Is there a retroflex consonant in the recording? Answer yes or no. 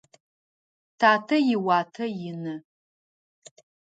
no